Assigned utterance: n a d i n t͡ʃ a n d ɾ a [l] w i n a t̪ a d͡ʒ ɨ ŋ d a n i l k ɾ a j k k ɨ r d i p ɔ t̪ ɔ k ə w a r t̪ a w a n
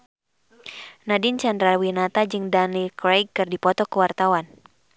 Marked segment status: correct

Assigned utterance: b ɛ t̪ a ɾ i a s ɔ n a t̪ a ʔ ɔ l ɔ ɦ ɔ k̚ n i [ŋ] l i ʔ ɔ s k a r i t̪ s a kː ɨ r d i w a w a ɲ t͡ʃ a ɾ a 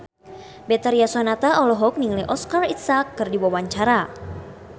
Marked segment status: correct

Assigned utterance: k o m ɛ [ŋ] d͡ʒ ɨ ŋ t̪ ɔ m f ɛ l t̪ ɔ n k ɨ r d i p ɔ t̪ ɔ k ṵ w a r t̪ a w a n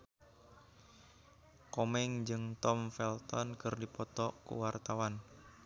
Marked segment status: correct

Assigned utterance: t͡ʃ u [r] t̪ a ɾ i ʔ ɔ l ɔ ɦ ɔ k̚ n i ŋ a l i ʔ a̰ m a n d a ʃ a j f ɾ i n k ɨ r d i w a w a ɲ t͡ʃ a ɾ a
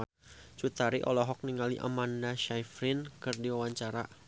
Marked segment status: incorrect: none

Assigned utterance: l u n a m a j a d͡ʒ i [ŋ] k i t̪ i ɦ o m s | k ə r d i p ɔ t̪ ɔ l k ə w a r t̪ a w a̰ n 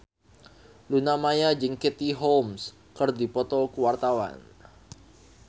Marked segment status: correct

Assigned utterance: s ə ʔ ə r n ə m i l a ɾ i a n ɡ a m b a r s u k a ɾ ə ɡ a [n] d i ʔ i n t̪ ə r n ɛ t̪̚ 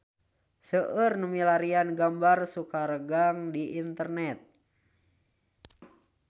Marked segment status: incorrect: ŋ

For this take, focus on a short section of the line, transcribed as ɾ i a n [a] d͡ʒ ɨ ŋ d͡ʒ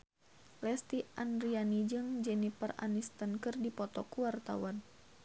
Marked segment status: incorrect: i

